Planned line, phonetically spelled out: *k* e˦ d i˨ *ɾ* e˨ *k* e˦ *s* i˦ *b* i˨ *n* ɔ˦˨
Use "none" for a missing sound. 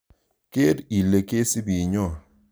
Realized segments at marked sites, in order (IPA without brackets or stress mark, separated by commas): k, l, k, s, b, ɲ